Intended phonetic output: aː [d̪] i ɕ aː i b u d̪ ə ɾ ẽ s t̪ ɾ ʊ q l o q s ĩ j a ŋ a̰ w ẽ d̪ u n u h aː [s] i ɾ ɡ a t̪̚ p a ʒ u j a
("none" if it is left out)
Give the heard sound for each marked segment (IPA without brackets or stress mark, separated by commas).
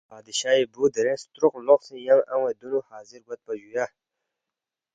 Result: d̪, z